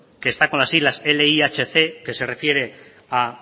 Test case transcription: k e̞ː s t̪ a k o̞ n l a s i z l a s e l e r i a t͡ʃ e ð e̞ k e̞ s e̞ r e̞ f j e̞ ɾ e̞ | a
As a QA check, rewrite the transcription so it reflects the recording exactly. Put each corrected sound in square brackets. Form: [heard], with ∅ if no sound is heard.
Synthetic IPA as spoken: k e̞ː s t̪ a k o̞ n l a s i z l a s e l e [∅] i a t͡ʃ e [θ] e̞ k e̞ s e̞ r e̞ f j e̞ ɾ e̞ | a